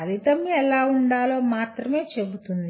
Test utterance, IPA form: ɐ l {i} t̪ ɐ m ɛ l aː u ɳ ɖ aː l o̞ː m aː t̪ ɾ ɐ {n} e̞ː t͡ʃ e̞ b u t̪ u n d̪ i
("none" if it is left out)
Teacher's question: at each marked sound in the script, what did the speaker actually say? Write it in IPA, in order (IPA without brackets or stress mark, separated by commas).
i, m